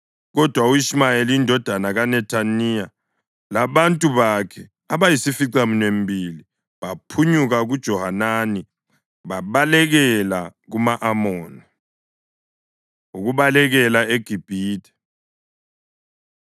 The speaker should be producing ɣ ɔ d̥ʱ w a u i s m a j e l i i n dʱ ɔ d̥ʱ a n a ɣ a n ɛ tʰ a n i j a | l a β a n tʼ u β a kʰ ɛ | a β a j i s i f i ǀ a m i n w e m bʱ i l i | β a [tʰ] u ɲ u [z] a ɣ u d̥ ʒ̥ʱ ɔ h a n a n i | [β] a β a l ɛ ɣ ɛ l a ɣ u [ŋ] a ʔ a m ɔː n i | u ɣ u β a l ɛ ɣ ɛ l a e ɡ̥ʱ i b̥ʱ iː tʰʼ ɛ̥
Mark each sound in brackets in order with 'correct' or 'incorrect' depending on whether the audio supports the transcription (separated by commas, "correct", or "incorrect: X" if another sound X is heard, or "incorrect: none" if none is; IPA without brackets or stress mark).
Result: incorrect: pʰ, incorrect: ɣ, correct, incorrect: m